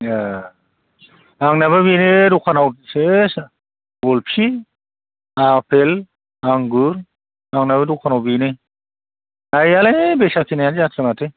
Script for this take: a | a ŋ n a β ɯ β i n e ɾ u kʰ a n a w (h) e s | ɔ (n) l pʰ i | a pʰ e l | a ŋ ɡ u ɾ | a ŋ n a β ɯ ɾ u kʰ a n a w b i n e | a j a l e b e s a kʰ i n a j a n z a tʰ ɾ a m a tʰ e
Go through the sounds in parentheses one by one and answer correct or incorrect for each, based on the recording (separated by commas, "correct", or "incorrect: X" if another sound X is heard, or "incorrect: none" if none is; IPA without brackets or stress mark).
incorrect: s, incorrect: none